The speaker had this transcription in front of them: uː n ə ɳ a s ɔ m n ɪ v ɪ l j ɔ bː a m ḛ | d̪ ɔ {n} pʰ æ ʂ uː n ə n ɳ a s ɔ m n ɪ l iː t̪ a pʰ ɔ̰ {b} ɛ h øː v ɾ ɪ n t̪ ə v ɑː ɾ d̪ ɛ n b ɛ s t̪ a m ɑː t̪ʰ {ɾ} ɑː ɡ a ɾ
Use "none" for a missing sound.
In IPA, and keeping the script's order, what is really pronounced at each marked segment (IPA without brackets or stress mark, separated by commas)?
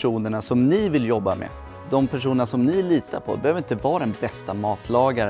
m, b, l